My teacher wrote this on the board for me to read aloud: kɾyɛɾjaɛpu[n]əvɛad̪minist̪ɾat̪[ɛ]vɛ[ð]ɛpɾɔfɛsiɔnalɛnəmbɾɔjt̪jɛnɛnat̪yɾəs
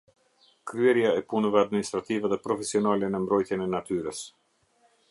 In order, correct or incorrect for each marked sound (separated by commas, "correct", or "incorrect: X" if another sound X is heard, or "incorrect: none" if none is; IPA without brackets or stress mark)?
correct, incorrect: i, correct